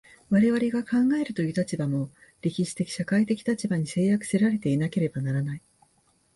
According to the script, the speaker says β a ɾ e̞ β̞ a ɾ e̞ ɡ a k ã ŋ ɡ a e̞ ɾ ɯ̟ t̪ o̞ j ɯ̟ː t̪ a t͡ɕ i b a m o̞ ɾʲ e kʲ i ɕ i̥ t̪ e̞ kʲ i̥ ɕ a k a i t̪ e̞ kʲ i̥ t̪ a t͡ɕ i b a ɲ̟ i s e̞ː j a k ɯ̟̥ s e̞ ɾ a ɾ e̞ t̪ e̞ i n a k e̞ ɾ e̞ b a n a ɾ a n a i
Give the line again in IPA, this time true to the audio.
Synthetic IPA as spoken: β a ɾ e̞ β̞ a ɾ e̞ ɡ a k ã ŋ ɡ a e̞ ɾ ɯ̟ t̪ o̞ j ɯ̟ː t̪ a t͡ɕ i b a m o̞ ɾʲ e kʲ i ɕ i̥ t̪ e̞ kʲ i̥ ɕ a k a i t̪ e̞ kʲ i̥ t̪ a t͡ɕ i b a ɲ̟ i s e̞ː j a k ɯ̟̥ s e̞ ɾ a ɾ e̞ t̪ e̞ i n a k e̞ ɾ e̞ b a n a ɾ a n a i